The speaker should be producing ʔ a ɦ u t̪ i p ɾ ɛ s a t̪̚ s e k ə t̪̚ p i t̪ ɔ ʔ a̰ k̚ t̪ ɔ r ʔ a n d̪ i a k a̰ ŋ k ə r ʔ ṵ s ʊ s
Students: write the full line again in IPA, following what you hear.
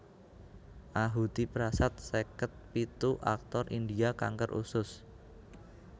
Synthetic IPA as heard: ʔ a ɦ u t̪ i p ɾ a s a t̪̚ s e k ə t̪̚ p i t̪ u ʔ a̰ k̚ t̪ ɔ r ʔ i n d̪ i a k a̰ ŋ k ə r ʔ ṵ s ʊ s